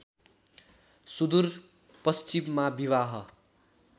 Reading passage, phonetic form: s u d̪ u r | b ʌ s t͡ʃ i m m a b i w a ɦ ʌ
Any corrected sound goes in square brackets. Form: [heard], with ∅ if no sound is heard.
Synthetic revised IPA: s u d̪ u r | [p] ʌ s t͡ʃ i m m a b i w a ɦ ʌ